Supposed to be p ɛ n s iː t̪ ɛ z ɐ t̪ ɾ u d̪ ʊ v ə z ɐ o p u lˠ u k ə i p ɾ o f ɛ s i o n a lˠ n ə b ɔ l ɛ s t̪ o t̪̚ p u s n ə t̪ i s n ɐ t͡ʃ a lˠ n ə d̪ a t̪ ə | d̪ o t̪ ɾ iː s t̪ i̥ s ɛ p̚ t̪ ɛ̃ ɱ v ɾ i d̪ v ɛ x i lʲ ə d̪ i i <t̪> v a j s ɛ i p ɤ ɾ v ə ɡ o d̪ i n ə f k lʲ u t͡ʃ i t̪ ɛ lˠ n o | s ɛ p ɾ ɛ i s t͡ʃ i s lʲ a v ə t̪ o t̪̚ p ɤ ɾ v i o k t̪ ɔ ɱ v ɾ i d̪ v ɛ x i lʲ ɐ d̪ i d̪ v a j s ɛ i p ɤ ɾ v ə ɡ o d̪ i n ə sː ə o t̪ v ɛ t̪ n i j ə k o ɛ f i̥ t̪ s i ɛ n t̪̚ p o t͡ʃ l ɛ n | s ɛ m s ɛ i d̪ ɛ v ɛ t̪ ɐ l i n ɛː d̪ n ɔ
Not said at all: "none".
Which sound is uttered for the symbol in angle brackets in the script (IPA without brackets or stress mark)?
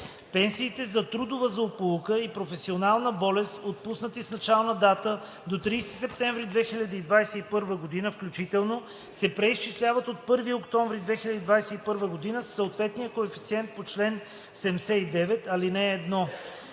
d̪